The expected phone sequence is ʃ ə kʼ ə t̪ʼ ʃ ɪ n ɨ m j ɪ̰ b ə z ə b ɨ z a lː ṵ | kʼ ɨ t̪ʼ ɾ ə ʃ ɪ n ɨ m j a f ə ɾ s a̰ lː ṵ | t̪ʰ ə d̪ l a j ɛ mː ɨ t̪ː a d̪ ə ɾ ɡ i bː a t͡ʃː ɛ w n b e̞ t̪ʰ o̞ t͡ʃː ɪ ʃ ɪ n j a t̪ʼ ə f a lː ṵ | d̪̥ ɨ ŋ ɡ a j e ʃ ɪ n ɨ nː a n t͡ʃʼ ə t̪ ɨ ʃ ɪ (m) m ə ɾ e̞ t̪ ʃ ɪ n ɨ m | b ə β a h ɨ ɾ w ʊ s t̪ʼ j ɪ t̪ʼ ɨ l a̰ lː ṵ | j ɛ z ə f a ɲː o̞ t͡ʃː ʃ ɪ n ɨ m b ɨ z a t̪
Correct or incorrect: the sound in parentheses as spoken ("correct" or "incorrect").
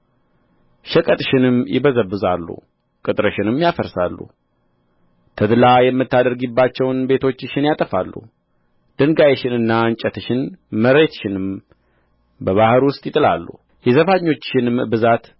incorrect